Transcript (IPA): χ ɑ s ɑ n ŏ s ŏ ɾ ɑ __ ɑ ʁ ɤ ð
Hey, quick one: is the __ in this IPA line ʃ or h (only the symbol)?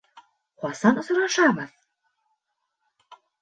ʃ